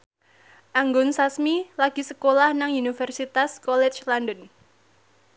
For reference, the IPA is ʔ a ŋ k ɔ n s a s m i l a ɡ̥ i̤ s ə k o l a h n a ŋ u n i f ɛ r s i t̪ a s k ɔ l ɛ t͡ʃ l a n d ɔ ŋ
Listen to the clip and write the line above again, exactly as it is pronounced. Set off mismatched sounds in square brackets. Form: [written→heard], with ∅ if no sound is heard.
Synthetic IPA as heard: ʔ a ŋ [k→ɡ] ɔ n s a s m i l a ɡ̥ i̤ s ə k o l a h n a ŋ u n i f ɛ r s i t̪ a s k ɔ l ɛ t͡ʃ l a n d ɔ [ŋ→n]